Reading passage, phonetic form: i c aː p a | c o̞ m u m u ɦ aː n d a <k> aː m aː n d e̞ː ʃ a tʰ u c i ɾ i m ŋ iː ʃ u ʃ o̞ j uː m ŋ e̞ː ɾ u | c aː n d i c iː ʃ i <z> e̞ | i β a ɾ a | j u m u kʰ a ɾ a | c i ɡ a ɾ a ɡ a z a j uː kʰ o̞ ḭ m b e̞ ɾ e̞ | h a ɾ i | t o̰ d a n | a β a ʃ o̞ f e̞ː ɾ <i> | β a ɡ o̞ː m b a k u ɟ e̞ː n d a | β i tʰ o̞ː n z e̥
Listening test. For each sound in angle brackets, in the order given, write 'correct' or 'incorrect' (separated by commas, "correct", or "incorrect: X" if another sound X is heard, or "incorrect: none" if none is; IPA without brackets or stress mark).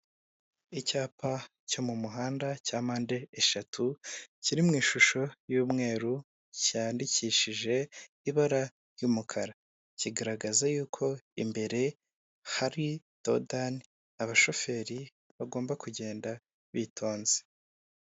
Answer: incorrect: c, incorrect: ʒ, correct